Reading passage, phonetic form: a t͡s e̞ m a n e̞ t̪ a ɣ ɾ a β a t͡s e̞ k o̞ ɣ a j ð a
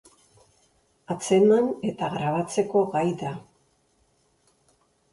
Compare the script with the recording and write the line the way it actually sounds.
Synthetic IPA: a t͡s e̞ m a n e̞ t̪ a ɣ ɾ a β a t͡s e̞ k o̞ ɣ a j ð a